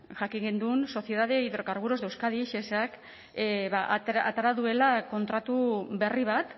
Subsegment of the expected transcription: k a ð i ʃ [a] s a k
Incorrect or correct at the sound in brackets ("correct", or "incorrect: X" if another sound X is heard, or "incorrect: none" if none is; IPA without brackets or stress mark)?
incorrect: e